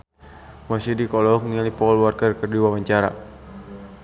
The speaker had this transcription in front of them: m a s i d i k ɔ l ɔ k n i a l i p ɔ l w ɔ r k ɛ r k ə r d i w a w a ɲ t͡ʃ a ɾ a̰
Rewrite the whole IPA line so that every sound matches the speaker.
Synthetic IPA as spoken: m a s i d i k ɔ l ɔ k n i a l i p ɔ l w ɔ r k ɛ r k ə r d i w a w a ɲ t͡ʃ a ɾ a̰